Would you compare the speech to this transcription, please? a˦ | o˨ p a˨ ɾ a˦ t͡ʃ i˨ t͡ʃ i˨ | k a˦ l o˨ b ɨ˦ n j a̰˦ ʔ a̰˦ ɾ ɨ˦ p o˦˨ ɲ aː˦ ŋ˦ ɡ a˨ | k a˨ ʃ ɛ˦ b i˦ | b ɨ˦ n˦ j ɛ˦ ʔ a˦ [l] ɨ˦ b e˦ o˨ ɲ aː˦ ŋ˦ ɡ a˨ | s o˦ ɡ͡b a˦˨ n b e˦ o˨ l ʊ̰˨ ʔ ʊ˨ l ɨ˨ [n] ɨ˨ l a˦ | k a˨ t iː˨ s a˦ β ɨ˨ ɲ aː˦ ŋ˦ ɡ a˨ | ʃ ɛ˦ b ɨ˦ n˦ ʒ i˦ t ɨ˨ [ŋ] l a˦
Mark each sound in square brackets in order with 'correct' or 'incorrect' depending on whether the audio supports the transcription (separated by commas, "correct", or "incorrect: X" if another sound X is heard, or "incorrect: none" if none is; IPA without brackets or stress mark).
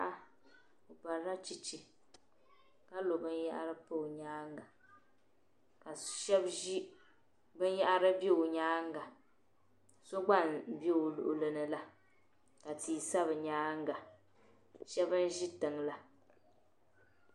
incorrect: ɾ, correct, correct